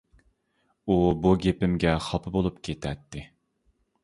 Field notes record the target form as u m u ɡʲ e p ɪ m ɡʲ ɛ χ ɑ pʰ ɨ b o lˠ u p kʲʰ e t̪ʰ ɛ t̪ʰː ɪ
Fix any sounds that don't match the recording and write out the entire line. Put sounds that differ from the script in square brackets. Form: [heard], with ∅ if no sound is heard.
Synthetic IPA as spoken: u [b] u ɡʲ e p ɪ m ɡʲ ɛ χ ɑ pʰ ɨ b o lˠ u p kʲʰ e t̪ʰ ɛ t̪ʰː ɪ